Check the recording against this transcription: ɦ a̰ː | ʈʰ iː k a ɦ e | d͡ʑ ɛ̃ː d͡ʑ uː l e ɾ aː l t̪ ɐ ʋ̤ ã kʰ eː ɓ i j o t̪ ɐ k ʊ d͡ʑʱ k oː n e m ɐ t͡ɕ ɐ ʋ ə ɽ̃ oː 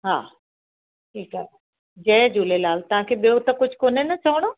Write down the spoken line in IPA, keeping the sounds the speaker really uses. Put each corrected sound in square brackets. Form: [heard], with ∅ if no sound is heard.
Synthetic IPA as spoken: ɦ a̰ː | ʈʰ iː k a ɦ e | d͡ʑ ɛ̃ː d͡ʑ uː l e [l] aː l t̪ ɐ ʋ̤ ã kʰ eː ɓ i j o t̪ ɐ k ʊ d͡ʑʱ k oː n e [n] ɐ t͡ɕ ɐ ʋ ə ɽ̃ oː